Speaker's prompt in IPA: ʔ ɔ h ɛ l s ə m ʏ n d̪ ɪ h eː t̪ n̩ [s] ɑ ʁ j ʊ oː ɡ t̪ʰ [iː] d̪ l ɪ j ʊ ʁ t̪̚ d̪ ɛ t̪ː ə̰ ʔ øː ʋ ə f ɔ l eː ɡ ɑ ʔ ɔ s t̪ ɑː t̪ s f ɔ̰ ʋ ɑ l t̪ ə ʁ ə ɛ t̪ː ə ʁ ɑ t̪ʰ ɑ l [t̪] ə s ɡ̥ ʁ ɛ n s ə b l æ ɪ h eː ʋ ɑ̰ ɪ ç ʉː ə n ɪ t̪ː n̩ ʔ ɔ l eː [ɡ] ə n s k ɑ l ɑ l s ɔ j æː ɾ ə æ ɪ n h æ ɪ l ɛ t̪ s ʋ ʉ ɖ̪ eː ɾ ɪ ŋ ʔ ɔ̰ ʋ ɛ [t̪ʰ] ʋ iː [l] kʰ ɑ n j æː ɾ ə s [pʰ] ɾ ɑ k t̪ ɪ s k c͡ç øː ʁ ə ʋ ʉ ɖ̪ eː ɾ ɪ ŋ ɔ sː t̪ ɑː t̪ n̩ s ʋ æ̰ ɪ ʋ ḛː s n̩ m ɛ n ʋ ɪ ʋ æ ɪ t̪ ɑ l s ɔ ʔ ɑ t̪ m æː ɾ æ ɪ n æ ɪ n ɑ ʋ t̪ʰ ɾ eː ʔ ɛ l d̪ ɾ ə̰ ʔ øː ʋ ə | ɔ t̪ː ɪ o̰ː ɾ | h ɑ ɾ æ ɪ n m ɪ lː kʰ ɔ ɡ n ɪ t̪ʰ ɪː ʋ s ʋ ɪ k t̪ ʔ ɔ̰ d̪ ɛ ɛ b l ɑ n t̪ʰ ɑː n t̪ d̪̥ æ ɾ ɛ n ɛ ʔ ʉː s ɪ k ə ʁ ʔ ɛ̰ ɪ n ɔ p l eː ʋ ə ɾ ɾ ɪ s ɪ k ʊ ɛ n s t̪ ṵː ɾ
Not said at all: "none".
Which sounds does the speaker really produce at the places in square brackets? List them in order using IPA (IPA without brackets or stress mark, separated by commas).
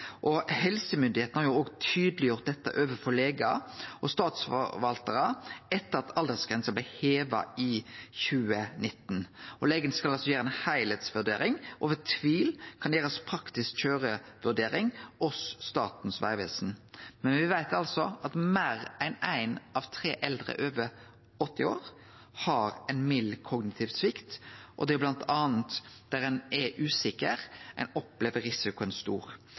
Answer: h, yː, d̪, ɡ, t̪ʰ, l, pʰ